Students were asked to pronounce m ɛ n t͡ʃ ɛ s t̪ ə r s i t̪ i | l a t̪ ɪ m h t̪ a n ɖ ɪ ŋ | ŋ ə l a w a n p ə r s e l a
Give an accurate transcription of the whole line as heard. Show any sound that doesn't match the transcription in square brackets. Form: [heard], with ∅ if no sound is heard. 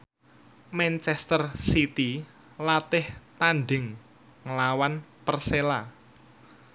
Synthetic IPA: m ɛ n t͡ʃ ɛ s t̪ ə r s i t̪ i | l a t̪ ɪ [∅] h t̪ a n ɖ ɪ ŋ | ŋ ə l a w a n p ə r s e l a